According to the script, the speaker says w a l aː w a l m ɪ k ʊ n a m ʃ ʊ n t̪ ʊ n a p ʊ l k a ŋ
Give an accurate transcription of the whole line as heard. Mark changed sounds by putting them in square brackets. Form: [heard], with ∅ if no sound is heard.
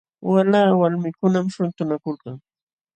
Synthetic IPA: w a l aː w a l m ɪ k ʊ n a m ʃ ʊ n t̪ ʊ n a [k] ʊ l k a ŋ